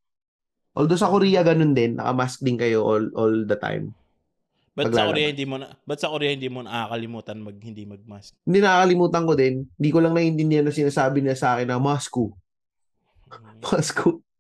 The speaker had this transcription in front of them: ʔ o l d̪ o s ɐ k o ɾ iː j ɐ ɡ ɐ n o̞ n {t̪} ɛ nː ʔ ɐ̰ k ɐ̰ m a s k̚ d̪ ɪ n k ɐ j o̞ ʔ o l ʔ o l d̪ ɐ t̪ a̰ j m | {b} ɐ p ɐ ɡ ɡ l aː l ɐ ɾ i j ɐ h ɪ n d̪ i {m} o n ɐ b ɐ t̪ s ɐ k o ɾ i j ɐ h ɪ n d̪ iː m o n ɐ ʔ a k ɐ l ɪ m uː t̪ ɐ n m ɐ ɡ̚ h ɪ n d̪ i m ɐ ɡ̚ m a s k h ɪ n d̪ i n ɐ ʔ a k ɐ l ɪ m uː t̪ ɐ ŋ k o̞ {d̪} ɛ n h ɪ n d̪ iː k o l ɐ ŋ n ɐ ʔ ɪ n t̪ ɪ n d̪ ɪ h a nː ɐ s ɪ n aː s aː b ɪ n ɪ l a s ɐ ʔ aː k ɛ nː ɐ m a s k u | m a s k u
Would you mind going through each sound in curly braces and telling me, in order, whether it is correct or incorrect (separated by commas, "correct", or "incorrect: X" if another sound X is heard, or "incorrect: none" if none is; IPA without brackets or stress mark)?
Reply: incorrect: d̪, correct, correct, correct